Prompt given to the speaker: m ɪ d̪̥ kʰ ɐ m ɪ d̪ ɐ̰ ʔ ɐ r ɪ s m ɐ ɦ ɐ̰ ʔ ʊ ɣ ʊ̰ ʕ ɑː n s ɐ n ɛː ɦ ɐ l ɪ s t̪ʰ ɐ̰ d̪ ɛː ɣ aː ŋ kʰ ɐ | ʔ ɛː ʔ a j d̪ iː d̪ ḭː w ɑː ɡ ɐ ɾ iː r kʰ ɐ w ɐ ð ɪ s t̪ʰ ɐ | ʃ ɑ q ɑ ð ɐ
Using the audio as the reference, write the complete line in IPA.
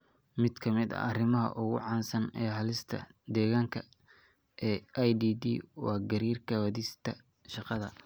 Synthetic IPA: m ɪ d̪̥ kʰ ɐ m ɪ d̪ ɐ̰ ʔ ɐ r ɪ m ɐ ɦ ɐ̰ ʔ ʊ ɣ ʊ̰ ʕ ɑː n s ɐ n ɛː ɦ ɐ l ɪ s t̪ʰ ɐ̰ d̪ ɛː ɣ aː ŋ kʰ ɐ | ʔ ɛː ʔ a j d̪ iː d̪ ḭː w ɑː ɡ ɐ ɾ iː r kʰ ɐ w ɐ ð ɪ s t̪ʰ ɐ | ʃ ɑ q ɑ ð ɐ

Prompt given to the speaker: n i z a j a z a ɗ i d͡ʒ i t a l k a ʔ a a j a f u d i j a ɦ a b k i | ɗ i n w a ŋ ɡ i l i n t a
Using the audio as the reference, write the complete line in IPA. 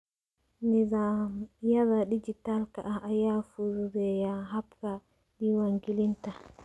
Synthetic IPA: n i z a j a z a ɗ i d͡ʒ i t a l k a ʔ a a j a f u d ɛ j a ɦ a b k a | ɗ i w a ŋ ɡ i l i n t a

